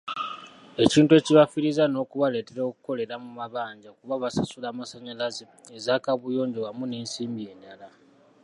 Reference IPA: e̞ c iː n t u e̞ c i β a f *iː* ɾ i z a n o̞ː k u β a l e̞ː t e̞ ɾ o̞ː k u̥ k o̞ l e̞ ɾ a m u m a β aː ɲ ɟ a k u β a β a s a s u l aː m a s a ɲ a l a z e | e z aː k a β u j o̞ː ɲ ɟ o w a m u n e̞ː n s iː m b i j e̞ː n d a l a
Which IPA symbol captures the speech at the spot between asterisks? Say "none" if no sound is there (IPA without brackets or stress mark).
i